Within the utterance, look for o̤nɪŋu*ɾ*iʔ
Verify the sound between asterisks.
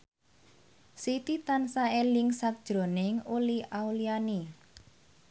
incorrect: l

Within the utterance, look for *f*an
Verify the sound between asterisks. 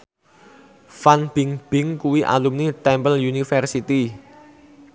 correct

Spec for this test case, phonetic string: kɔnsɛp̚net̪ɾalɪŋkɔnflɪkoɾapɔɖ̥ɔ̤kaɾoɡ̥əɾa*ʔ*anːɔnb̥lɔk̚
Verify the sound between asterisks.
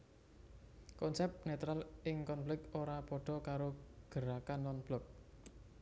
incorrect: k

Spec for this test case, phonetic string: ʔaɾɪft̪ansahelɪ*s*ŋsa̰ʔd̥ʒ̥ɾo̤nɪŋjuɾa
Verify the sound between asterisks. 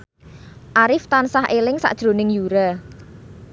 incorrect: none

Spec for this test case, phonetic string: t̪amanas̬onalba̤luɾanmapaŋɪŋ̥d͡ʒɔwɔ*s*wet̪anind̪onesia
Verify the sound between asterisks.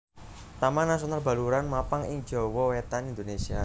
incorrect: none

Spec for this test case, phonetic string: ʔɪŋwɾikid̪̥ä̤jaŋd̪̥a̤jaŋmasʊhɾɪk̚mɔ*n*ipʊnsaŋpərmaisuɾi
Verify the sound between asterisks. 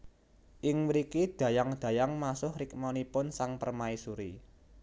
correct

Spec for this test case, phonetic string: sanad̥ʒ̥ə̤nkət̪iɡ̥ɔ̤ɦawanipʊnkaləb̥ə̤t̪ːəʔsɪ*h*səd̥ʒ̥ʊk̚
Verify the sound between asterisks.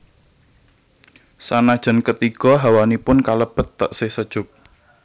correct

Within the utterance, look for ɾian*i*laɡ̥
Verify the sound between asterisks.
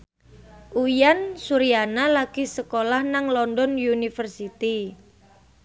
incorrect: a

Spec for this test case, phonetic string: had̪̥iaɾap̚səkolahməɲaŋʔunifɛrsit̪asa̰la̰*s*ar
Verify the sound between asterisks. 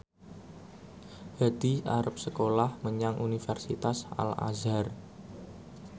incorrect: z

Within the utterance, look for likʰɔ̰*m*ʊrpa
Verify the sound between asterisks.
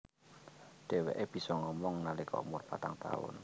correct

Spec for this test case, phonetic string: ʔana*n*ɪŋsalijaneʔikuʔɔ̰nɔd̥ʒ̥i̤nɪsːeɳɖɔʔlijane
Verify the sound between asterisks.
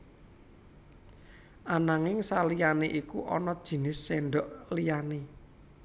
incorrect: ŋ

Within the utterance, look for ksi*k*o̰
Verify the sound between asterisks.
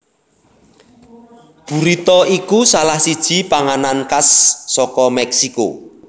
correct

